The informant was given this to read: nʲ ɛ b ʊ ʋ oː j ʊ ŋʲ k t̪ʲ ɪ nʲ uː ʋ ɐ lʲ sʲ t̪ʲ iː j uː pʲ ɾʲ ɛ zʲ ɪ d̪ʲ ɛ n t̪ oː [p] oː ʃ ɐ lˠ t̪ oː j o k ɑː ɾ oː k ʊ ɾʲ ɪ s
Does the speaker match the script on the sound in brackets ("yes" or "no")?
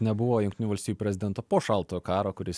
yes